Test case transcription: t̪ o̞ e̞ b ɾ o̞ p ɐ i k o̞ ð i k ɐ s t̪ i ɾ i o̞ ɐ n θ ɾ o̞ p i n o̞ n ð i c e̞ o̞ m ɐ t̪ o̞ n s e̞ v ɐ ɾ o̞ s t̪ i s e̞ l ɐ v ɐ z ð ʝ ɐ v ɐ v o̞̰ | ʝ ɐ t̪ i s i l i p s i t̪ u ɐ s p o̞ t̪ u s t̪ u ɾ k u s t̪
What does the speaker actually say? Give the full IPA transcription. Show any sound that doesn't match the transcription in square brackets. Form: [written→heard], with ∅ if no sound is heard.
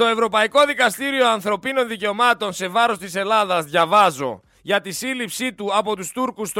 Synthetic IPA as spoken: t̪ o̞ e̞ [b→v] ɾ o̞ p ɐ i k o̞ ð i k ɐ s t̪ i ɾ i o̞ ɐ n θ ɾ o̞ p i n o̞ n ð i c e̞ o̞ m ɐ t̪ o̞ n s e̞ v ɐ ɾ o̞ s t̪ i s e̞ l ɐ [v→ð] ɐ z ð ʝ ɐ v ɐ [v→z] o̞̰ | ʝ ɐ t̪ i s i l i p s i t̪ u ɐ [s→∅] p o̞ t̪ u s t̪ u ɾ k u s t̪